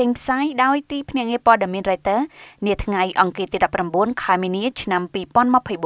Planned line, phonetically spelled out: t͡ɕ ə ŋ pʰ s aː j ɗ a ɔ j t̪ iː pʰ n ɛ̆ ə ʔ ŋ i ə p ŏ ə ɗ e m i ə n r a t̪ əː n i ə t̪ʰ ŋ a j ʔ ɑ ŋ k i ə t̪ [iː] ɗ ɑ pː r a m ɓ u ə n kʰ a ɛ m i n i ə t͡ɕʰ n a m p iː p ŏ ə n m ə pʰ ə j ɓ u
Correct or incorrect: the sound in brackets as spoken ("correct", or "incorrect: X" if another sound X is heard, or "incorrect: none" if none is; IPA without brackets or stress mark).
correct